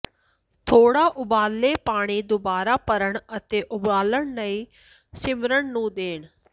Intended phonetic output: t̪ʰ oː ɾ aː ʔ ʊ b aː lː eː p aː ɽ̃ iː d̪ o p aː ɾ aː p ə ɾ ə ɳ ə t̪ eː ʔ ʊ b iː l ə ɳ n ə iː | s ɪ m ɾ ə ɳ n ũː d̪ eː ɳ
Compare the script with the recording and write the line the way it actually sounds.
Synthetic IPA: t̪ʰ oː ɽ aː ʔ ʊ b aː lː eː p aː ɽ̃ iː d̪ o b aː ɾ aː p ə ɾ ə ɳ ə t̪ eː ʔ ʊ b aː l ə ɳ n ə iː | s ɪ m ɾ ə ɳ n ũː d̪ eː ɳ